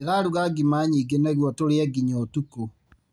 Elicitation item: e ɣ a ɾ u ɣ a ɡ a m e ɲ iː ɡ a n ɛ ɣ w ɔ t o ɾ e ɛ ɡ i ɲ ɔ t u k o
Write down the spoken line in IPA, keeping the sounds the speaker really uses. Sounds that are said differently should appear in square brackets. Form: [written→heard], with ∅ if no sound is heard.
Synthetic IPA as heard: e ɣ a ɾ u ɣ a ɡ [a→i] m [e→a] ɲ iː ɡ [a→e] n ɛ ɣ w ɔ t o ɾ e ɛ ɡ i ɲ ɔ t u k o